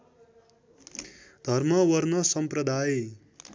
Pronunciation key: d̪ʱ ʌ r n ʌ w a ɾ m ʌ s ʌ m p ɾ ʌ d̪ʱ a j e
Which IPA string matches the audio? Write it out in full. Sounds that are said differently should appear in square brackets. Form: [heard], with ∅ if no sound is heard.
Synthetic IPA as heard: d̪ʱ ʌ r [m] ʌ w [ʌ] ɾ [n] ʌ s ʌ m p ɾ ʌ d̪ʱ a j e